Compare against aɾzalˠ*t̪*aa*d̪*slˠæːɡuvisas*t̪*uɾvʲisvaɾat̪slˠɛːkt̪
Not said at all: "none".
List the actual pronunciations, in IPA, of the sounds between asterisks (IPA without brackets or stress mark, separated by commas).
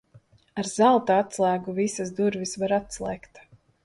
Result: t̪, t̪, d̪